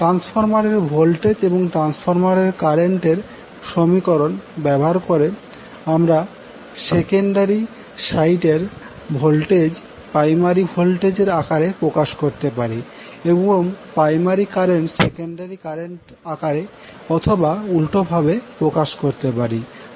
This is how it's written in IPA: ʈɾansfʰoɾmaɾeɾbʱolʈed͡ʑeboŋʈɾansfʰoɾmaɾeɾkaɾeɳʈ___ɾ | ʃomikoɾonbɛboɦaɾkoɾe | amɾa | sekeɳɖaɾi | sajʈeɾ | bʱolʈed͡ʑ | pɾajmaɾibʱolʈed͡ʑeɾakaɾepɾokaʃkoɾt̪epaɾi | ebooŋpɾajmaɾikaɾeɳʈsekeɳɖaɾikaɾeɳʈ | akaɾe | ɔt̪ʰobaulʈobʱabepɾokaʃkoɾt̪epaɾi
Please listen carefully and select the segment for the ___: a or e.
e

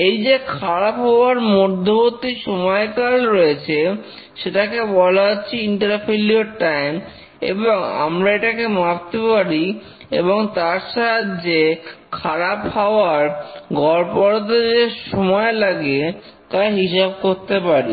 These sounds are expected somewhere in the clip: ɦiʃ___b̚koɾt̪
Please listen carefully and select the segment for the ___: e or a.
a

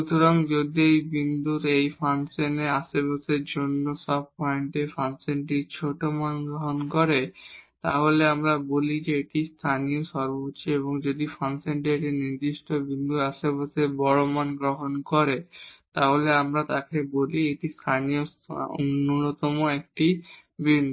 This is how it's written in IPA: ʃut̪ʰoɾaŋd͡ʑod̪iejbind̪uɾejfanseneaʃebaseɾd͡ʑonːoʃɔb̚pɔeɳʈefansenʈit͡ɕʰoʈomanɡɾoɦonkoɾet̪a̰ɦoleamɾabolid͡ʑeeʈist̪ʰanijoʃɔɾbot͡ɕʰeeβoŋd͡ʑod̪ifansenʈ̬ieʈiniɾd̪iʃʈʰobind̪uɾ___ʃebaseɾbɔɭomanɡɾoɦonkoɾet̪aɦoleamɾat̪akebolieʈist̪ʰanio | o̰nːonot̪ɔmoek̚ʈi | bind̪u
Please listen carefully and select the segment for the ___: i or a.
a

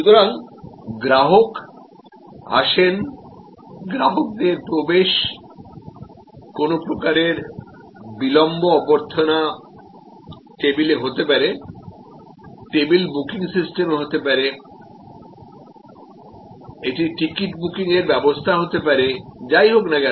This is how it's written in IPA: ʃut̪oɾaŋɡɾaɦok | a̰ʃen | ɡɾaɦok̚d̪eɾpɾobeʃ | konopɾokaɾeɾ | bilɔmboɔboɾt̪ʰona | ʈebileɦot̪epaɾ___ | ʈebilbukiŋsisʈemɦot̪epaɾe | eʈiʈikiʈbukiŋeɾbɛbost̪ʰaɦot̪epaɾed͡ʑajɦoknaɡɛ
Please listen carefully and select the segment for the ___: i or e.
e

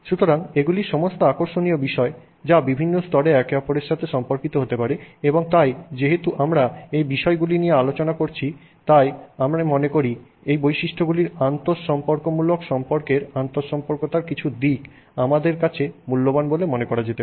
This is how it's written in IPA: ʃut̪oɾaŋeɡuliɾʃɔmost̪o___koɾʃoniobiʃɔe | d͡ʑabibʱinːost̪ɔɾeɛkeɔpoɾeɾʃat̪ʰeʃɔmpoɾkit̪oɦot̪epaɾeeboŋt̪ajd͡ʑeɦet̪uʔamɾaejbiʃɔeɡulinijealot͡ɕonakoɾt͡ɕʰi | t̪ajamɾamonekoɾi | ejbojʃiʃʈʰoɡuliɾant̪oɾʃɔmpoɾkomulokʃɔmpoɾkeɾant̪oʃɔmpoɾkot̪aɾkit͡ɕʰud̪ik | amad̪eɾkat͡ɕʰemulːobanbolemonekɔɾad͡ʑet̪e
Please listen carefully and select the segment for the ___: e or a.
a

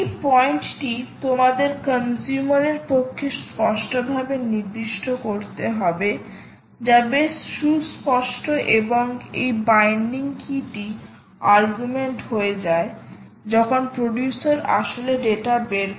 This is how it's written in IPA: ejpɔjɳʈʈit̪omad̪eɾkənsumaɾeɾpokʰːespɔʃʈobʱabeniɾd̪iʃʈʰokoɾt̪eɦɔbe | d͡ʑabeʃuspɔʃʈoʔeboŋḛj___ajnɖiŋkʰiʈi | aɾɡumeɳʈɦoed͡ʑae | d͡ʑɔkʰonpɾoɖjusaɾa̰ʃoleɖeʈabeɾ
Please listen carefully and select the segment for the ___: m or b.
b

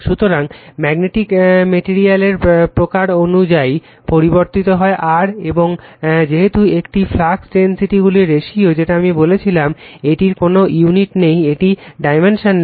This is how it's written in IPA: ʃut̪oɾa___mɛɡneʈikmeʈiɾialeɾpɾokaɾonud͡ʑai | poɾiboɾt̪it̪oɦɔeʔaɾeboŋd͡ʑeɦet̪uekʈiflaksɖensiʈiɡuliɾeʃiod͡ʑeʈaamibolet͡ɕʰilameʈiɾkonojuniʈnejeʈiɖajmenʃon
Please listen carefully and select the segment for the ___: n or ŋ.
ŋ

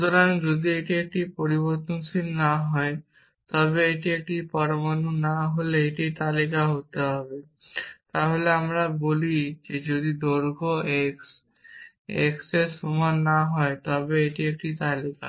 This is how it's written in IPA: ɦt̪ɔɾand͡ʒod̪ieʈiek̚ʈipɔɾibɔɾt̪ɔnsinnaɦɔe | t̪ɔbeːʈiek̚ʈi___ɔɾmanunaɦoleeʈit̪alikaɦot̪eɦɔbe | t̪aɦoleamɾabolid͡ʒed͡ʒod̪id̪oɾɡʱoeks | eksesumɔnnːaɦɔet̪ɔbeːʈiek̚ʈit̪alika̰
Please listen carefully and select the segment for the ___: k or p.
p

